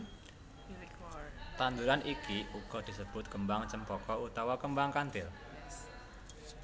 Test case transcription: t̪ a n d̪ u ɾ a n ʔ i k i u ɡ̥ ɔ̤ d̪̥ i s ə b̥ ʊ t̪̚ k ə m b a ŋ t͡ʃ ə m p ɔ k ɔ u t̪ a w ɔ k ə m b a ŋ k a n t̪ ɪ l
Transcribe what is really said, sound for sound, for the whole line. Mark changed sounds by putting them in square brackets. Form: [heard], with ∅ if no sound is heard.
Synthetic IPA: t̪ a n d̪ u ɾ a n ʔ i k i u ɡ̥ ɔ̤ d̪̥ i s ə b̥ ʊ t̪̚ k ə m b a ŋ t͡ʃ ə m p ɔ k ɔ u t̪ a w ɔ k ə m b a ŋ k a n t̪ ɪ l